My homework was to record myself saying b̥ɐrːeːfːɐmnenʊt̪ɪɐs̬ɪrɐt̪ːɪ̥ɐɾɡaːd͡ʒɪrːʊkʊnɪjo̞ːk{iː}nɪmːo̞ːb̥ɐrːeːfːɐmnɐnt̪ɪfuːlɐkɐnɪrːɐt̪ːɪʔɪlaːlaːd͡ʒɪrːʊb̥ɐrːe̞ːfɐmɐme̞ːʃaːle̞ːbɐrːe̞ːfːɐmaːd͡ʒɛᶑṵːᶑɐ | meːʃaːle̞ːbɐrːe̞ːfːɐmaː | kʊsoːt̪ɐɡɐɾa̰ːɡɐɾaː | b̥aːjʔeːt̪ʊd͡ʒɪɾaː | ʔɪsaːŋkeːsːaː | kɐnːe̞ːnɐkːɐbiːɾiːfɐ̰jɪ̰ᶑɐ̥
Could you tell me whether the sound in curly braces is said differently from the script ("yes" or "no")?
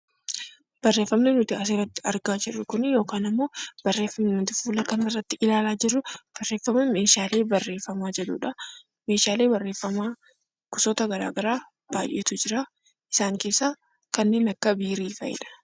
yes